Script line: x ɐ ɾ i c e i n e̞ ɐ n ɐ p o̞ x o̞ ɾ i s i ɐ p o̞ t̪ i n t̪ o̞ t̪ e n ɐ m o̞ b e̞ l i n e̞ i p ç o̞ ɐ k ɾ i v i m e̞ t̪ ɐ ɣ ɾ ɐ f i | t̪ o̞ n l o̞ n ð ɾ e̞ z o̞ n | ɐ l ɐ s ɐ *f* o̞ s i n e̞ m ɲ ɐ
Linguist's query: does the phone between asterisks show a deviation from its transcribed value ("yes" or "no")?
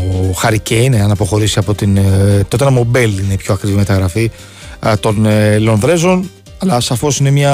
no